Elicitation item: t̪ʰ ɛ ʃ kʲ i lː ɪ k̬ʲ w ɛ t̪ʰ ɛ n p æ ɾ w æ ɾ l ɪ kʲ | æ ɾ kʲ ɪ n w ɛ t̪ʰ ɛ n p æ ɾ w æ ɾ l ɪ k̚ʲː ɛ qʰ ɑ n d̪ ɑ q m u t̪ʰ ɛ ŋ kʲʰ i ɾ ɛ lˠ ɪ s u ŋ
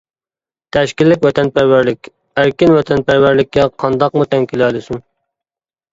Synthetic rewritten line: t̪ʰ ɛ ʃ kʲ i lː ɪ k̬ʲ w ɛ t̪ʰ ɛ n p æ ɾ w æ ɾ l ɪ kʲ | æ ɾ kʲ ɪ n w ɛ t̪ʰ ɛ n p æ ɾ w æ ɾ l ɪ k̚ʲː ɛ qʰ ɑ n d̪ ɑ q m u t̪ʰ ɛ ŋ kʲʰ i l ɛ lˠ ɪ s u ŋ